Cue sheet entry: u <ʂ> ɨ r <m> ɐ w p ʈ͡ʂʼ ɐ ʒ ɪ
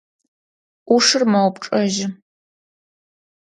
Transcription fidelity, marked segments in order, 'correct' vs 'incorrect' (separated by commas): correct, correct